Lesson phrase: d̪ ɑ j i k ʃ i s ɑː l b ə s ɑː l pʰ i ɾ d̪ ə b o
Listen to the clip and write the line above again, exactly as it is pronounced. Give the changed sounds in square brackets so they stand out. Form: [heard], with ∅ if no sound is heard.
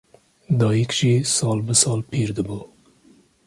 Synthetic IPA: d̪ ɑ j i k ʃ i s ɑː l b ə s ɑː l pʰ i ɾ d̪ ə b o